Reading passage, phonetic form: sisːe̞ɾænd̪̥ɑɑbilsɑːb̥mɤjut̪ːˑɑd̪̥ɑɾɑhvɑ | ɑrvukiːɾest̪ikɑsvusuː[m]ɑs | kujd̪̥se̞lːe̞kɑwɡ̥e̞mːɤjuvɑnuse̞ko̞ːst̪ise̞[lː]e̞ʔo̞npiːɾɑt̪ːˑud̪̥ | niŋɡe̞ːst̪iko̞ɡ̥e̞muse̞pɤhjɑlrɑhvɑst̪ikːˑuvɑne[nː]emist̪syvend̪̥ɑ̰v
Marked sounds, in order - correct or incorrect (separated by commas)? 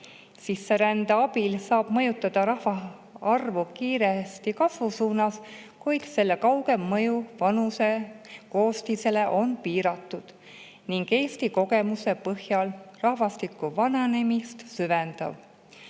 incorrect, incorrect, incorrect